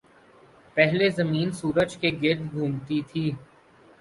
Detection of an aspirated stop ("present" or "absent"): present